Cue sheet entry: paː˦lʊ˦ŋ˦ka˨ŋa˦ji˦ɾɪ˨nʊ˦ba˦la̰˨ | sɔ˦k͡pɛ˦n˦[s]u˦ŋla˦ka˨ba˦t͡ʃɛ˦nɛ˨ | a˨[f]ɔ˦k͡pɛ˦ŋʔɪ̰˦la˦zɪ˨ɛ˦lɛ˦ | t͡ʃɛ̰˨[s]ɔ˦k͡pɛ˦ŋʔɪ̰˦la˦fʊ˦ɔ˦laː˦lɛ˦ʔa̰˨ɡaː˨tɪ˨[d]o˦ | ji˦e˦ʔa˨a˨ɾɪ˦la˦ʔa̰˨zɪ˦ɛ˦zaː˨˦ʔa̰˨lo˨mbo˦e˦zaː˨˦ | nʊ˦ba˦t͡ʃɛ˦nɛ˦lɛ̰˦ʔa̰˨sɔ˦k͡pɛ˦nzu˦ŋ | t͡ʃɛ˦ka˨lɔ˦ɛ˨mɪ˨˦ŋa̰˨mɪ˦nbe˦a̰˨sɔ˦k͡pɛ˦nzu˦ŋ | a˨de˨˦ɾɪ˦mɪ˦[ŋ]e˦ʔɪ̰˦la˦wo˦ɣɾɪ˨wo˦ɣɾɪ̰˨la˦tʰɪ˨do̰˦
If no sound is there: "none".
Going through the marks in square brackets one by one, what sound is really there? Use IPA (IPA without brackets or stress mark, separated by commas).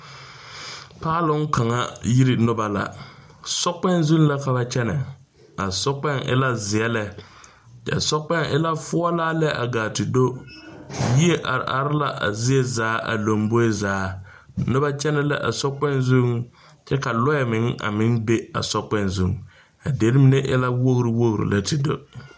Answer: z, s, s, d, n